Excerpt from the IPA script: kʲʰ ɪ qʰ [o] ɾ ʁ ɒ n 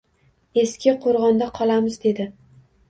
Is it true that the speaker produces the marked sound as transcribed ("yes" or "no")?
yes